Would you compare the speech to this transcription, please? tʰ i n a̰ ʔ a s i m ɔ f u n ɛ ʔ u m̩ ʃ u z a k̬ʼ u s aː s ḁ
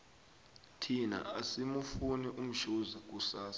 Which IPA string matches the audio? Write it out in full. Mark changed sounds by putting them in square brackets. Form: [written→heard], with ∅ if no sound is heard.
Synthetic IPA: tʰ i n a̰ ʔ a s i m [ɔ→u] f u n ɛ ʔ u m̩ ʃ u z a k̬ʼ u s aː s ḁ